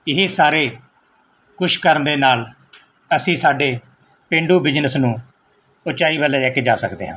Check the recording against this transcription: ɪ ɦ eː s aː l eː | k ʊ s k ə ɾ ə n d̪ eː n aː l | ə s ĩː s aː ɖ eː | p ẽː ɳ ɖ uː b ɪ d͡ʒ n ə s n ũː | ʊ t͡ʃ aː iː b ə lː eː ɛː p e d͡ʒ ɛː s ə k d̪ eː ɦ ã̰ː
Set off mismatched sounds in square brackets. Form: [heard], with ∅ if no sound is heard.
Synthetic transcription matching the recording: ɪ ɦ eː s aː [ɾ] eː | k ʊ [ʃ] k ə ɾ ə n d̪ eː n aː l | ə s ĩː s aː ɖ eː | p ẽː ɳ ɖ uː b ɪ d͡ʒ n ə s n ũː | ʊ t͡ʃ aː iː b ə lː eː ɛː [k] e d͡ʒ [aː] s ə k d̪ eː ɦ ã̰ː